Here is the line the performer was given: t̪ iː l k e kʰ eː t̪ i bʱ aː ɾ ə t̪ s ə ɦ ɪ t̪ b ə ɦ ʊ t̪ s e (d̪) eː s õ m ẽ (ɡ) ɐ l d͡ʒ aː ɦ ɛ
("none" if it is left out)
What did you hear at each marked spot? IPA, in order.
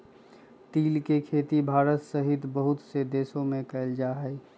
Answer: d̪, k

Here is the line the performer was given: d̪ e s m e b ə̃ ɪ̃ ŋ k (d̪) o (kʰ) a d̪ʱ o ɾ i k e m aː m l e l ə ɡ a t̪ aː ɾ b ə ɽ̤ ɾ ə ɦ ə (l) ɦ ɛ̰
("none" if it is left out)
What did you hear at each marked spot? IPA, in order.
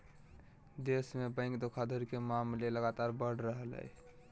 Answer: d̪, kʰ, l

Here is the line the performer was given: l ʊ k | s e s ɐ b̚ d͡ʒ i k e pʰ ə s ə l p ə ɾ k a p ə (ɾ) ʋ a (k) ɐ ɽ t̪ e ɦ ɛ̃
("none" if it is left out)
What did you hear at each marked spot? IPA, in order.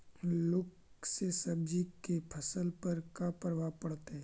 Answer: ɾ, p

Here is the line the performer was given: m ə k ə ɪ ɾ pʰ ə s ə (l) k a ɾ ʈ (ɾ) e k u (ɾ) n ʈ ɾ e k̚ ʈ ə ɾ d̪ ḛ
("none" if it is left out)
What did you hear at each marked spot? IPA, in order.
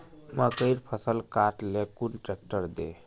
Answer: l, l, none

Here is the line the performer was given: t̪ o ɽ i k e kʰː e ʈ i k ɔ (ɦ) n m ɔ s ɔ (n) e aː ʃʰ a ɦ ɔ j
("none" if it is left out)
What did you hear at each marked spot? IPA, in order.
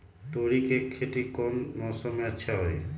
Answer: none, m

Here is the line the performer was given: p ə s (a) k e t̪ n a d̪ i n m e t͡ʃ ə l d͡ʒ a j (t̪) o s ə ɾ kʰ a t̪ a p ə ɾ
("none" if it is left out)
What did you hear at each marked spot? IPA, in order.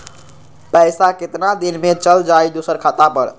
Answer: a, d̪

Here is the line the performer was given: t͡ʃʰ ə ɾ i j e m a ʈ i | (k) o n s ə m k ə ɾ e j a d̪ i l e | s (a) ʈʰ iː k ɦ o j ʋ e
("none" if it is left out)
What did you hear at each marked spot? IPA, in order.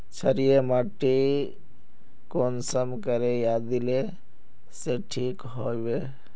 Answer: k, e

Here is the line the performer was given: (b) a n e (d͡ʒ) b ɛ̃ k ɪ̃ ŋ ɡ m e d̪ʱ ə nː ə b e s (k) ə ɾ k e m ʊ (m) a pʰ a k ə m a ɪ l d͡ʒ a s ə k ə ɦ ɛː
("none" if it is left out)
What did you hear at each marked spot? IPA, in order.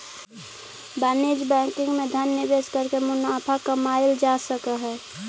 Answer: b, d͡ʒ, k, n

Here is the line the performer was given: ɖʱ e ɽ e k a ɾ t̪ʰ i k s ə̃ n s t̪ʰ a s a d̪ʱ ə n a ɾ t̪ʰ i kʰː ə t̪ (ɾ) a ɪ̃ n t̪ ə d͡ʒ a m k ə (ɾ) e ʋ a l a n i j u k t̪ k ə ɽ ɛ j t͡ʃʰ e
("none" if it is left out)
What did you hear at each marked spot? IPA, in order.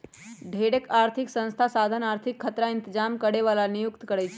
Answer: ɾ, ɽ

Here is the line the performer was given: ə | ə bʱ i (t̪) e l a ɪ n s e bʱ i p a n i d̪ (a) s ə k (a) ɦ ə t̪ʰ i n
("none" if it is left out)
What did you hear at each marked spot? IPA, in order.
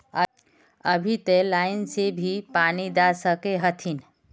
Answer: t̪, a, e

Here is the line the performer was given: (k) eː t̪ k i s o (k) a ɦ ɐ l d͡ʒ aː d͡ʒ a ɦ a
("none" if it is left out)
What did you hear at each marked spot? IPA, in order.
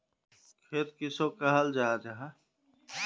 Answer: kʰ, k

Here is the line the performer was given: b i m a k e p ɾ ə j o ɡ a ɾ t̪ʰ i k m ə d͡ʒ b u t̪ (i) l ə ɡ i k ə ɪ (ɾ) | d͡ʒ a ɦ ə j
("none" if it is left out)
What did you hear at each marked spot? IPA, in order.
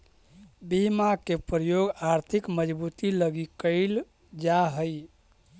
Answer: i, l

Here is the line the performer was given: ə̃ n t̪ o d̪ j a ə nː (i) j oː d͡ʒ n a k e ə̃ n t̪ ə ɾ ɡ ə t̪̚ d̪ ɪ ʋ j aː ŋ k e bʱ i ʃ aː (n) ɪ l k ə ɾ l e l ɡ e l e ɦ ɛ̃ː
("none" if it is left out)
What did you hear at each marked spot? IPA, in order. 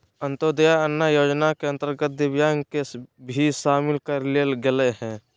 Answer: a, m

